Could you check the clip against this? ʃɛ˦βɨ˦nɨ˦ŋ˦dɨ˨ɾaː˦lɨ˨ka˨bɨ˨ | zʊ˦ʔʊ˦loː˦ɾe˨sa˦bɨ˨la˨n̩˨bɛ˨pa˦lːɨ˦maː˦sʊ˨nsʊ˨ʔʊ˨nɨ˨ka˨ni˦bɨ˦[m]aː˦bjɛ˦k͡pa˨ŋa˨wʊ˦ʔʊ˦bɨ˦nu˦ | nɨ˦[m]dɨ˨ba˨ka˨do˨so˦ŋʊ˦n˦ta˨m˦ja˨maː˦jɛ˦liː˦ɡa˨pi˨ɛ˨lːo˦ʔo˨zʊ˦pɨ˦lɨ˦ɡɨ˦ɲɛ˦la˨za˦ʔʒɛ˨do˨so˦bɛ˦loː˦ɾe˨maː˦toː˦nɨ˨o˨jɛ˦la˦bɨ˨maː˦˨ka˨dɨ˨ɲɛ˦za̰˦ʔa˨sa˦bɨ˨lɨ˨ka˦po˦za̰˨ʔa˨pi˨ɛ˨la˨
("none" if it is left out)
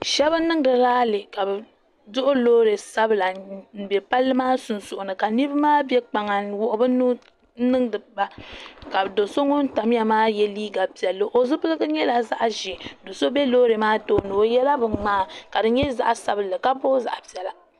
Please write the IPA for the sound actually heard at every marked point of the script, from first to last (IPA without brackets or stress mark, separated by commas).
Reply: m, ŋ